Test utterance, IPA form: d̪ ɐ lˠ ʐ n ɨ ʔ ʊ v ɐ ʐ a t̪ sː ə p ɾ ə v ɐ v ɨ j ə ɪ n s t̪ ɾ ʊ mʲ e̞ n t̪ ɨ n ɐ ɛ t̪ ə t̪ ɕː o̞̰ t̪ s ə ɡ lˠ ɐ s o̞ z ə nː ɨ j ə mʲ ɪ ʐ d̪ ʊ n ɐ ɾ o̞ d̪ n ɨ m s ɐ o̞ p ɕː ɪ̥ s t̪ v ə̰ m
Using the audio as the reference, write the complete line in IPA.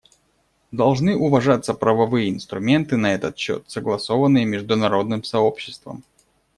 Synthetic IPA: d̪ ɐ lˠ ʐ n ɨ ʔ ʊ v ɐ ʐ a t̪ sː ə p ɾ ə v ɐ v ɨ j ə ɪ n s t̪ ɾ ʊ mʲ e̞ n t̪ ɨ n ɐ ɛ t̪ ə t̪ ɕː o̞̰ t̪ s ə ɡ lˠ ɐ s o̞ v ə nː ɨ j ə mʲ ɪ ʐ d̪ ʊ n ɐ ɾ o̞ d̪ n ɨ m s ɐ o̞ p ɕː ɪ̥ s t̪ v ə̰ m